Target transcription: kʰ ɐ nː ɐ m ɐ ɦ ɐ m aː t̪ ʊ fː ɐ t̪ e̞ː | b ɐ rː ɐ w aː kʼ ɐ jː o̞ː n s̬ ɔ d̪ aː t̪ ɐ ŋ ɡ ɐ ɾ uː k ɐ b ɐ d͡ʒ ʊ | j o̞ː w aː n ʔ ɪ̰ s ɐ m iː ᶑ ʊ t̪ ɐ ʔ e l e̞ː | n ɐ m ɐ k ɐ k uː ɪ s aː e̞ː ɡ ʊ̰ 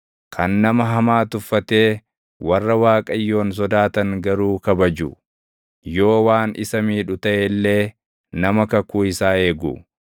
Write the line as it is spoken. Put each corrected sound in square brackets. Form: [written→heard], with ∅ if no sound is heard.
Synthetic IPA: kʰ ɐ nː ɐ m ɐ ɦ ɐ m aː t̪ ʊ fː ɐ t̪ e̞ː | [b→w] ɐ rː ɐ w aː kʼ ɐ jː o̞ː n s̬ ɔ d̪ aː t̪ ɐ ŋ ɡ ɐ ɾ uː k ɐ b ɐ d͡ʒ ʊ | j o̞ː w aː n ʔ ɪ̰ s ɐ m iː ᶑ ʊ t̪ ɐ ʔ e [l→lː] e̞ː | n ɐ m ɐ k ɐ k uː ɪ s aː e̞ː ɡ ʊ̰